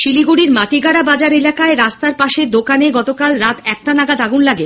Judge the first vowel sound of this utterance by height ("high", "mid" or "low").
high